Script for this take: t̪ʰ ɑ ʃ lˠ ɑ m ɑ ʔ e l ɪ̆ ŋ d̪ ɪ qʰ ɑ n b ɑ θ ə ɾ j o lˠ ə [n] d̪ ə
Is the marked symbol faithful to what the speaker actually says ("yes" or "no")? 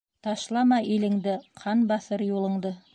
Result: no